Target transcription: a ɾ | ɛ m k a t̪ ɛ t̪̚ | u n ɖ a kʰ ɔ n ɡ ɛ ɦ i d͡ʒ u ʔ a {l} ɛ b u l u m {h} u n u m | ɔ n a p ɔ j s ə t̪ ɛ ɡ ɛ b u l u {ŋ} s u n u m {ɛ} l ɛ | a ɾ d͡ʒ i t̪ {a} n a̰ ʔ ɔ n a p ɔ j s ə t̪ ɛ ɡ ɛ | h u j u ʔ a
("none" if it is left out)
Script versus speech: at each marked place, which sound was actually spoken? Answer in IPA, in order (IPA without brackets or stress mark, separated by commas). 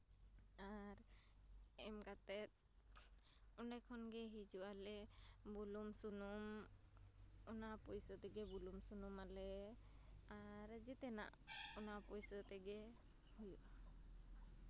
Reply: l, s, m, a, ɛ